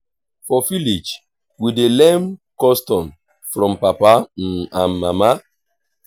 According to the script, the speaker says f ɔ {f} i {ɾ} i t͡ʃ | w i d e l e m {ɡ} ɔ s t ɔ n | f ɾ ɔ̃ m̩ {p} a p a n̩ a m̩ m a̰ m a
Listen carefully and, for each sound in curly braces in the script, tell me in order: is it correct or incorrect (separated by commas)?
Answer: correct, incorrect, incorrect, correct